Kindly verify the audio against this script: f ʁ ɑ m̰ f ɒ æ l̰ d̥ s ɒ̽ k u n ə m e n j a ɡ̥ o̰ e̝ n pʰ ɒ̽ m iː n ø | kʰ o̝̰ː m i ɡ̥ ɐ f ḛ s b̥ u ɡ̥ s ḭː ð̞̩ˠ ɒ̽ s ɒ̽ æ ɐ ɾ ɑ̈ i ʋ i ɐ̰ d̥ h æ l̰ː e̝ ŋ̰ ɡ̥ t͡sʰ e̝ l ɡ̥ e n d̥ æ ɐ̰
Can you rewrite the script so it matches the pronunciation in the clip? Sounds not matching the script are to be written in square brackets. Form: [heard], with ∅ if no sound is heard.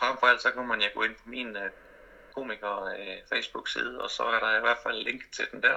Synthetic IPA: f ʁ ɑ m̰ f ɒ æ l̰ d̥ s ɒ̽ k u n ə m [æ] n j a ɡ̥ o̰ e̝ n pʰ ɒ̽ m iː n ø | kʰ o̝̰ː m i ɡ̥ ɐ f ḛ s b̥ u ɡ̥ s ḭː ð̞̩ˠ ɒ̽ s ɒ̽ æ ɐ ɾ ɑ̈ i ʋ [æ] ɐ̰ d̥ [f] æ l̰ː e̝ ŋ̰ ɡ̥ t͡sʰ e̝ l [d̥] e n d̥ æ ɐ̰